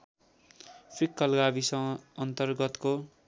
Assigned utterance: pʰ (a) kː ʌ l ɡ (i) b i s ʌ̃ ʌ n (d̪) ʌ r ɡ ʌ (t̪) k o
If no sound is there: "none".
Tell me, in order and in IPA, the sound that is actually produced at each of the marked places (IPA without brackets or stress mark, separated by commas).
i, a, t̪, t̪